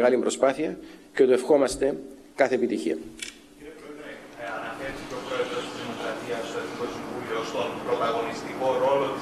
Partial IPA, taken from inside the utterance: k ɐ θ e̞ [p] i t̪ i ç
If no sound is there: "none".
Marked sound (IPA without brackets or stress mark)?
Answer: p